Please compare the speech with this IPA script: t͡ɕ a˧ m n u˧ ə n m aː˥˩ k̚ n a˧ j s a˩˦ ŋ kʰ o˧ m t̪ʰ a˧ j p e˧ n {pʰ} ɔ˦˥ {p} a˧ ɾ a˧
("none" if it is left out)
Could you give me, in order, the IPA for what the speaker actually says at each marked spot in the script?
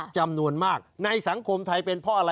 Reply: pʰ, ʔ

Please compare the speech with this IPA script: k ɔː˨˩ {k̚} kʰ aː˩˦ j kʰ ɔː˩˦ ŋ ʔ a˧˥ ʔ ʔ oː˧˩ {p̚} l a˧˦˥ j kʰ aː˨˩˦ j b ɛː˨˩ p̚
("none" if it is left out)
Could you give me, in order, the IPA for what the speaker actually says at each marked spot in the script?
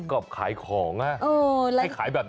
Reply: p̚, none

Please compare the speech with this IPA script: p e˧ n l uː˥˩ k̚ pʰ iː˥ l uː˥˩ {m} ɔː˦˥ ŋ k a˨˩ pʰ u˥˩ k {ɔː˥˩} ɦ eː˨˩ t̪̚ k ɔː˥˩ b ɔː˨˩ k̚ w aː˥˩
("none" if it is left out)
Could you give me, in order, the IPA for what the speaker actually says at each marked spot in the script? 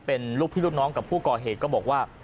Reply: n, ɔː˨˩

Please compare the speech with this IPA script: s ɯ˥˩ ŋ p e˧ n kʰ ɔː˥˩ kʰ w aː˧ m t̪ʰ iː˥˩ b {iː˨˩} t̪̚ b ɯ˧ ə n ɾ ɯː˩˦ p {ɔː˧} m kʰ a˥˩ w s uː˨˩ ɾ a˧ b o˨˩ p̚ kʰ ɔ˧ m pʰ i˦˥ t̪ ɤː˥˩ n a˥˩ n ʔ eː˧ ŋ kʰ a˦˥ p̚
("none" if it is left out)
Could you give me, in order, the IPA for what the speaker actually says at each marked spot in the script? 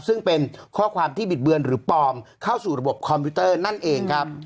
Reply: i˨˩, ɔː˧

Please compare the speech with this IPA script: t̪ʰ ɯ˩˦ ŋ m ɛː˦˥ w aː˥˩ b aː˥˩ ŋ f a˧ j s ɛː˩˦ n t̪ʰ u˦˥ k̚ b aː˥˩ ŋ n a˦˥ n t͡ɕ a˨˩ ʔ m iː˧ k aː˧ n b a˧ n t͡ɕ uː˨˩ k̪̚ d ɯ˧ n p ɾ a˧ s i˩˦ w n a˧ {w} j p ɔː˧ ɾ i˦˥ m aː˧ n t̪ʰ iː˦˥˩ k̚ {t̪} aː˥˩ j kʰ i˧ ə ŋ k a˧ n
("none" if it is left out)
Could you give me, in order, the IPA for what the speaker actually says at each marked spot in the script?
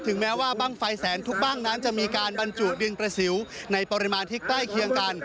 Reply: none, t̪

